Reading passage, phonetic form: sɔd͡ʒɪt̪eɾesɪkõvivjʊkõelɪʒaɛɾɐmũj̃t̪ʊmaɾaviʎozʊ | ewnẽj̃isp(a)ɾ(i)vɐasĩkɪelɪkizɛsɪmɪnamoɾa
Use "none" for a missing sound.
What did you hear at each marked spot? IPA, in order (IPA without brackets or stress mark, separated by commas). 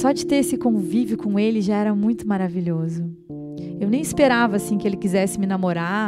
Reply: e, a